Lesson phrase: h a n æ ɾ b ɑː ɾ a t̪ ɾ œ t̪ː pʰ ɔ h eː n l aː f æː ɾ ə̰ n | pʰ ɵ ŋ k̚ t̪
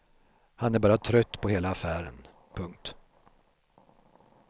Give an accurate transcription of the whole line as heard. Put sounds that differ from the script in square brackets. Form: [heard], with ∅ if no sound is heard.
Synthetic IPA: h a n æ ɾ b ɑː ɾ a [t̪ʰ] ɾ œ t̪ː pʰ ɔ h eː [∅] l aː f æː ɾ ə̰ n | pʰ ɵ ŋ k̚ t̪